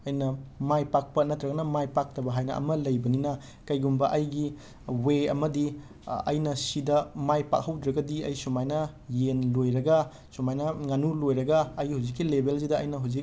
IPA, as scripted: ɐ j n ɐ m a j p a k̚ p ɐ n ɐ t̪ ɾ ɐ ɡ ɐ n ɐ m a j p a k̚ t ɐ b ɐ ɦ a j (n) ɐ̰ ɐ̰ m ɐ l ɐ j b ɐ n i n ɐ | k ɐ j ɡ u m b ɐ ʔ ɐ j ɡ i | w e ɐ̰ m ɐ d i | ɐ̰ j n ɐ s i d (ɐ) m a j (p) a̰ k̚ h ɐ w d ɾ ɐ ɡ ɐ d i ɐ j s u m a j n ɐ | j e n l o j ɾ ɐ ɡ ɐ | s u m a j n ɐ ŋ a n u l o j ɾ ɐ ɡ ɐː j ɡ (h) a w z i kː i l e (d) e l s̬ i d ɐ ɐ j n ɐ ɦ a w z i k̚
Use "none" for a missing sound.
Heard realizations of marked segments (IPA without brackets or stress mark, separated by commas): n, ɐ, p, h, b